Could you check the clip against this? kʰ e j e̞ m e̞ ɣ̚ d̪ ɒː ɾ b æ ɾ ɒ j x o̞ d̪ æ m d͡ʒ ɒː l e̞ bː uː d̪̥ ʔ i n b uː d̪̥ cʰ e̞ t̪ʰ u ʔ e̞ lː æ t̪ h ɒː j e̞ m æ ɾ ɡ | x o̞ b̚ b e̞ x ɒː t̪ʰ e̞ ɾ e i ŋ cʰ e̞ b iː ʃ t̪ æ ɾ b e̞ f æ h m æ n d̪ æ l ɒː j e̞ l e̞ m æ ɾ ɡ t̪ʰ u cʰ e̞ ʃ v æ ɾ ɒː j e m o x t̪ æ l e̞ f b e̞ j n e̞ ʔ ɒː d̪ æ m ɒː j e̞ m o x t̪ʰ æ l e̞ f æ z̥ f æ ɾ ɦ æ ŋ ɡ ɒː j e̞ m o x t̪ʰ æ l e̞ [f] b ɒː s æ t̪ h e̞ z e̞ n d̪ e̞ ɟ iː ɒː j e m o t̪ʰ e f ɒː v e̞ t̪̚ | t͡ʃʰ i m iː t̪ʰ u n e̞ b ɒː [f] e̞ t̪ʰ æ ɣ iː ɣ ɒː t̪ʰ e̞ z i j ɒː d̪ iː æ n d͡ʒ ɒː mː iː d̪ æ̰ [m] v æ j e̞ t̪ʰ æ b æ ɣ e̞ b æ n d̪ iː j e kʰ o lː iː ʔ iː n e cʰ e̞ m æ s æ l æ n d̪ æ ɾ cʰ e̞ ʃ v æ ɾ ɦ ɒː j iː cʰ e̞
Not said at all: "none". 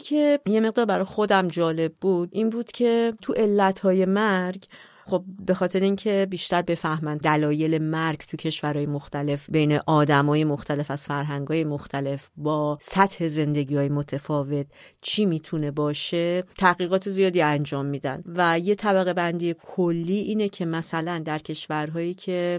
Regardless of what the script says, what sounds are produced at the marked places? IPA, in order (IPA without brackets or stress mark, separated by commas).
f, ʃ, n